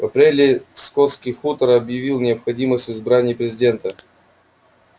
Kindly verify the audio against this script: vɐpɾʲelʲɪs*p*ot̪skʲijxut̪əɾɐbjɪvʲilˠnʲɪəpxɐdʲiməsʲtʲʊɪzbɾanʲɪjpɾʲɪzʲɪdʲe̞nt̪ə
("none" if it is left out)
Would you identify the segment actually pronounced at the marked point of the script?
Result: k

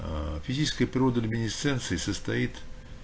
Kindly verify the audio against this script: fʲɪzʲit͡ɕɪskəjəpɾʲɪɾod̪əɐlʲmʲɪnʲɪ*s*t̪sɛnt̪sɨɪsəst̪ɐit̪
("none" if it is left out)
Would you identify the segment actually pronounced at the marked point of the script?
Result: s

